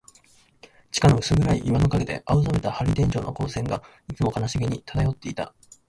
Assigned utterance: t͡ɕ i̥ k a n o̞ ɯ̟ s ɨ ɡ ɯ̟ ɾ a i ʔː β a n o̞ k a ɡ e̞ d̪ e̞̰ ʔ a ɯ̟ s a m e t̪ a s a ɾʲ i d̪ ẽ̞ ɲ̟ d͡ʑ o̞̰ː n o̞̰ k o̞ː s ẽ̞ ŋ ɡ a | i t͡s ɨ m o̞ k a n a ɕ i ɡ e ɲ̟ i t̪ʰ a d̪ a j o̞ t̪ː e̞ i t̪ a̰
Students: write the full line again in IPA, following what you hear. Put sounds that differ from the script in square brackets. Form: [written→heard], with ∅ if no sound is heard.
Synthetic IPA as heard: t͡ɕ i̥ k a n o̞ ɯ̟ s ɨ ɡ ɯ̟ ɾ a i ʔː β a n o̞ k a ɡ e̞ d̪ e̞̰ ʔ a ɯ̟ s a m e t̪ a [s→h] a ɾʲ i d̪ ẽ̞ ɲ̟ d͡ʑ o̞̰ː n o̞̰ k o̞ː s ẽ̞ ŋ ɡ a | i t͡s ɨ m o̞ k a n a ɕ i ɡ e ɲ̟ i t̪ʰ a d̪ a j o̞ t̪ː e̞ i t̪ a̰